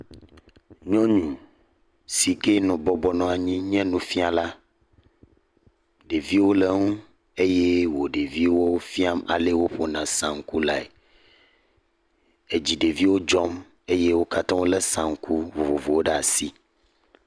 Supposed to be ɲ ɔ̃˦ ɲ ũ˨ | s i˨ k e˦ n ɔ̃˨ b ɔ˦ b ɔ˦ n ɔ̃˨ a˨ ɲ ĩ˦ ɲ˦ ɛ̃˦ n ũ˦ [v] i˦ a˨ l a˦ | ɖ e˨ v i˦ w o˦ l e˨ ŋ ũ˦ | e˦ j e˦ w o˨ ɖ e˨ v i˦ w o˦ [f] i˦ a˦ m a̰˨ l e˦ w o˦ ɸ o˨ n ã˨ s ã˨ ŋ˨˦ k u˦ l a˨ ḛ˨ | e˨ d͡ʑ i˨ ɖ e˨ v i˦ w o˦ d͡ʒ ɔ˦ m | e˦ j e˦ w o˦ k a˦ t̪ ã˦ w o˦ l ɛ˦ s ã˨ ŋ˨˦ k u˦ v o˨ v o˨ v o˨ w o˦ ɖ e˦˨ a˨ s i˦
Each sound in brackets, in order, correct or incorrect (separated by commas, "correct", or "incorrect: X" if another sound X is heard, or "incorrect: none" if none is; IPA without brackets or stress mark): incorrect: f, correct